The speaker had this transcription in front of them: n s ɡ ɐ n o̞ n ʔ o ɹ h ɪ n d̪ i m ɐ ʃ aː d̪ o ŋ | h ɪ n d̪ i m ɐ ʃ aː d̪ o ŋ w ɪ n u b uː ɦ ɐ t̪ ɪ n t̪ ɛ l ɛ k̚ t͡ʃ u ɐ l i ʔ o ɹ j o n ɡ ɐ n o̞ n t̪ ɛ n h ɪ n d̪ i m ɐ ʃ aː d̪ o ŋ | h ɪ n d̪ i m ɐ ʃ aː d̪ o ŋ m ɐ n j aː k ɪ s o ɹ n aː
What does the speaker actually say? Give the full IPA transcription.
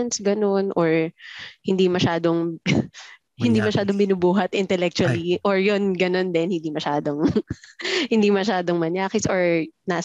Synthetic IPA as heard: n s ɡ ɐ n o̞ n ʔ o ɹ h ɪ n d̪ i m ɐ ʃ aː d̪ o ŋ | h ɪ n d̪ i m ɐ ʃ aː d̪ o ŋ b ɪ n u b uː ɦ ɐ t̪ ɪ n t̪ ɛ l ɛ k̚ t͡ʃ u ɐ l i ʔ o ɹ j o n ɡ ɐ n o̞ n d̪ ɛ n h ɪ n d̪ i m ɐ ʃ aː d̪ o ŋ | h ɪ n d̪ i m ɐ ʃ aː d̪ o ŋ m ɐ n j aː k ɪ s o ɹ n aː